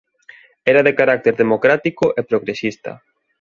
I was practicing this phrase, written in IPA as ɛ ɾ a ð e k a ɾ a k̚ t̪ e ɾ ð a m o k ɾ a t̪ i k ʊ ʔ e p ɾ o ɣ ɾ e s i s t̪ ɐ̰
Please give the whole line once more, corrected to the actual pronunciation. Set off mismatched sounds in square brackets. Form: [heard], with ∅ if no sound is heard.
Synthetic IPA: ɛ ɾ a ð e k a ɾ a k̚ t̪ e ɾ ð [e] m o k ɾ a t̪ i k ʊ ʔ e p ɾ o ɣ ɾ e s i s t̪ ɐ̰